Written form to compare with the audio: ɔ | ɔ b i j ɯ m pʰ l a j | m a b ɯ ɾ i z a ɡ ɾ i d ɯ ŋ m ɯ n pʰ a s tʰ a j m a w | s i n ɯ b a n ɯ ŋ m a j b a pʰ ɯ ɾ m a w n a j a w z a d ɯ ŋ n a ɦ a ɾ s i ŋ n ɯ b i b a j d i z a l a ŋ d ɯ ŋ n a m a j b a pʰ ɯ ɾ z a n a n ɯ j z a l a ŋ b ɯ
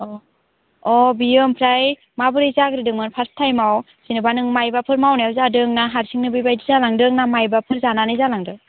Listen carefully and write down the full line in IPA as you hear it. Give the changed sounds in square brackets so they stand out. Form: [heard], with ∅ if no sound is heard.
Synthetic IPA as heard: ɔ | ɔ b i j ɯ m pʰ [ɾ] a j | m a b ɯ ɾ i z a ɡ ɾ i d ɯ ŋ m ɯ n pʰ a s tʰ a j m a w | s i n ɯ b a n ɯ ŋ m a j b a pʰ ɯ ɾ m a w n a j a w z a d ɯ ŋ n a ɦ a ɾ s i ŋ n ɯ b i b a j d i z a l a ŋ d ɯ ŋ n a m a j b a pʰ ɯ ɾ z a n a n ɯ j z a l a ŋ [d] ɯ